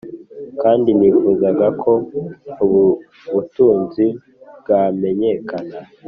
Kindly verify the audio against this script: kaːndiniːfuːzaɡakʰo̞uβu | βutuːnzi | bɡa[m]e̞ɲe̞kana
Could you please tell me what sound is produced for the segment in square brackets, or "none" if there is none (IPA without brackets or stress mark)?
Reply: m